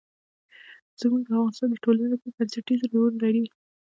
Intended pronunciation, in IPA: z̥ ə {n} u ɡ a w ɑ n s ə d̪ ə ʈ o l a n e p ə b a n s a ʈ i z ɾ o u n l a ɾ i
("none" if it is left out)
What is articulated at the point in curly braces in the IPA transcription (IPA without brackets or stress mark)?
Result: m